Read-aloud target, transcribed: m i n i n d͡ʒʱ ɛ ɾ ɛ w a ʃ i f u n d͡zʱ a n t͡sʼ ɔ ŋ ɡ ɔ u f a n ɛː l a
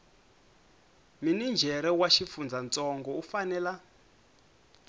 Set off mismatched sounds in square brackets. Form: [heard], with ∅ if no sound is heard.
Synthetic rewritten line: m i n i n d͡ʒʱ ɛ ɾ ɛ w a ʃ i f u n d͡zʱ a n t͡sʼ ɔ ŋ ɡ ɔ u f a n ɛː l a